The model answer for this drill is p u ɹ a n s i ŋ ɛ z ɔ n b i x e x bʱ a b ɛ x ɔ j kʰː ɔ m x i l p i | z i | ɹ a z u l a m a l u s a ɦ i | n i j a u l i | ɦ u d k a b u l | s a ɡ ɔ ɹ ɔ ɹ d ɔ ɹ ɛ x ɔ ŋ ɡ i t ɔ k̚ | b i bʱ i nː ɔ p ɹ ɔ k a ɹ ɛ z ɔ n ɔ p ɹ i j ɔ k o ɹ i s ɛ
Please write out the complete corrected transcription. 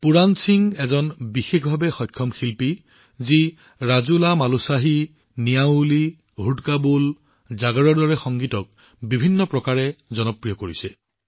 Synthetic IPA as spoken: p u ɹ a n s i ŋ ɛ z ɔ n b i x e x bʱ a b ɛ x ɔ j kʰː ɔ m x i l p i | z i | ɹ a z u l a m a l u s a ɦ i | n i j a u l i | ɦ u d k a b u l | z a ɡ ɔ ɹ ɔ ɹ d ɔ ɹ ɛ x ɔ ŋ ɡ i t ɔ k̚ | b i bʱ i nː ɔ p ɹ ɔ k a ɹ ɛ z ɔ n ɔ p ɹ i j ɔ k o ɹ i s ɛ

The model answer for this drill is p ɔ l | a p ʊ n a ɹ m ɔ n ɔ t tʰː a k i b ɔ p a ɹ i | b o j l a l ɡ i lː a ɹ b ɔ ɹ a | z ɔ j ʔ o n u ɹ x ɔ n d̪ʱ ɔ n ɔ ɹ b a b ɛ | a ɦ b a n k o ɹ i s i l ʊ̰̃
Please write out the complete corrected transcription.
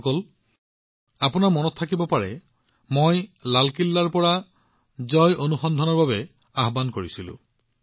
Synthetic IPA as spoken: k ɔ l | a p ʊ n a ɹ m ɔ n ɔ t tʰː a k i b ɔ p a ɹ ɛ | m o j l a l k i lː a ɹ p ɔ ɹ a | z ɔ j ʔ o n u x ɔ n d̪ʱ ɔ n ɔ ɹ b a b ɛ | a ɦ b a n k o ɹ i s i l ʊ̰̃

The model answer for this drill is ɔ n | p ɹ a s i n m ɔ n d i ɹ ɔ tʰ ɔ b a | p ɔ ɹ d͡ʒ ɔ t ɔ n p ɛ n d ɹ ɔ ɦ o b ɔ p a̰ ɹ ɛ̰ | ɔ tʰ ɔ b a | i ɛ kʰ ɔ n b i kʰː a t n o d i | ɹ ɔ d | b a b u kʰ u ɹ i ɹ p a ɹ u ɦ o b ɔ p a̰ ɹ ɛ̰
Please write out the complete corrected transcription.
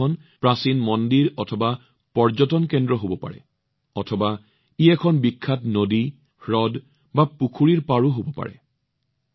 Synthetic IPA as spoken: ɔ n | p ɹ a s i n m ɔ n d i ɹ ɔ tʰ ɔ b a | p ɔ ɹ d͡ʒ ɔ t ɔ n k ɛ n d ɹ ɔ ɦ o b ɔ p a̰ ɹ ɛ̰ | ɔ tʰ ɔ b a | i ɛ kʰ ɔ n b i kʰː a t n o d i | ɹ ɔ d | b a p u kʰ u ɹ i ɹ p a ɹ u ɦ o b ɔ p a̰ ɹ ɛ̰

